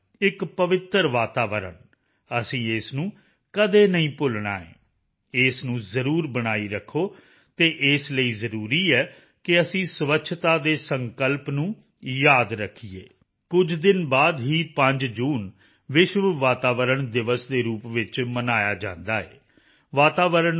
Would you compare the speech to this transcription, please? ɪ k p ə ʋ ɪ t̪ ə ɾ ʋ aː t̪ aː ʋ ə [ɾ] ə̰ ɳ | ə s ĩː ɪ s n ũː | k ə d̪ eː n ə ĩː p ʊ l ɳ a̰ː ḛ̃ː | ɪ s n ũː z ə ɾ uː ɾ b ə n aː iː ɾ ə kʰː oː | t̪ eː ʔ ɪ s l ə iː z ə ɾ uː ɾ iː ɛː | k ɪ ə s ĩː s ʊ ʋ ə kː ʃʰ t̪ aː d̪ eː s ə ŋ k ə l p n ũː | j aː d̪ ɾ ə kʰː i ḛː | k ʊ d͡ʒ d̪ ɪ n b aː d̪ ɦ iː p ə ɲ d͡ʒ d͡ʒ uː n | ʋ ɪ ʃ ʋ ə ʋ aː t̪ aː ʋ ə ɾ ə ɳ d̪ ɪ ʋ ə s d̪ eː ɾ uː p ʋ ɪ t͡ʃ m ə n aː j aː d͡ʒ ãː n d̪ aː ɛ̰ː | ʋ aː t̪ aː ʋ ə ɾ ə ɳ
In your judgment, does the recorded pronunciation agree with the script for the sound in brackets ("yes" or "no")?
yes